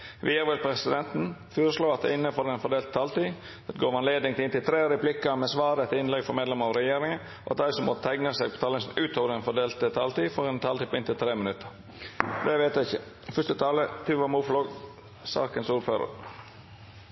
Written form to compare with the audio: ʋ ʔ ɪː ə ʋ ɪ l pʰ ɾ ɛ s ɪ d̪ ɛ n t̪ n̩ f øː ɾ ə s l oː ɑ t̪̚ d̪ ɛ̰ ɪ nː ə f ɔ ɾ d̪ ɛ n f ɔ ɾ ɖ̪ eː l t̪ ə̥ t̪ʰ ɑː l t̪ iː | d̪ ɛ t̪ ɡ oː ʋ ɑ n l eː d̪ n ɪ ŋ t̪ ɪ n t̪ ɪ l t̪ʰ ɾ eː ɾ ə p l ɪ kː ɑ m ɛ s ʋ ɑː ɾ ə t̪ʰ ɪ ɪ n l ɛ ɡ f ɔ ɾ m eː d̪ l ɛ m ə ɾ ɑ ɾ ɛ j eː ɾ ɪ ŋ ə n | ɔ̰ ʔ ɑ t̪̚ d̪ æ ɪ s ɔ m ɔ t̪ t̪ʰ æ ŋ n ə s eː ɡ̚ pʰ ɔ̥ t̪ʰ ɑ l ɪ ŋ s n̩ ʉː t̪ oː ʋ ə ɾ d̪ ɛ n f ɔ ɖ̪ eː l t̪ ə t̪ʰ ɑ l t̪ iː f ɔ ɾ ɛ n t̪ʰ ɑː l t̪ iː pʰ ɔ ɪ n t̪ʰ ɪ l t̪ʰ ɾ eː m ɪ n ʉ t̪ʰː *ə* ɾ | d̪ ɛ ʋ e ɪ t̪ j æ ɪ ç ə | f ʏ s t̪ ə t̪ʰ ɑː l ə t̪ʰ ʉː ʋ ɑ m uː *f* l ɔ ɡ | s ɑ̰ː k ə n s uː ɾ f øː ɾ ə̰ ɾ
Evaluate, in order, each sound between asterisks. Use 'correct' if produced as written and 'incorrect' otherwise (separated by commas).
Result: correct, correct